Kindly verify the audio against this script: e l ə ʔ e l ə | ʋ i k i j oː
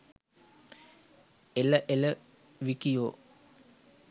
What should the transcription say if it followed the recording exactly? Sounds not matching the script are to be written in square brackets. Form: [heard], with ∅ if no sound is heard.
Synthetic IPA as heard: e l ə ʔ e l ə | ʋ i k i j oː